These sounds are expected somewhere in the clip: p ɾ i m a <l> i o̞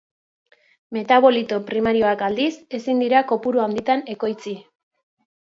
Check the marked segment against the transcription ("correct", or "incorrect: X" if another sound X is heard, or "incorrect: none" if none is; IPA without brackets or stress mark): incorrect: ɾ